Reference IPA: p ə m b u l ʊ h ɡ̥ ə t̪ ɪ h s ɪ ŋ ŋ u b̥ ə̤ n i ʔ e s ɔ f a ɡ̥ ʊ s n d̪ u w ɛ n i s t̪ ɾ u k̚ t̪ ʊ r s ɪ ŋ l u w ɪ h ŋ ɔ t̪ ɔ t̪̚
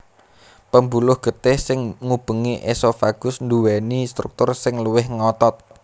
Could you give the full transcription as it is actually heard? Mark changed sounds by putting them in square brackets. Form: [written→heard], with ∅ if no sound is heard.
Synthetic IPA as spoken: p ə m b u l ʊ h ɡ̥ ə t̪ ɪ h s ɪ ŋ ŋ u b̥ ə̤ [n→ŋ] i ʔ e s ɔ f a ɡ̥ ʊ s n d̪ u w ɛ n i s t̪ ɾ u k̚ t̪ ʊ r s ɪ ŋ l u w ɪ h ŋ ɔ t̪ ɔ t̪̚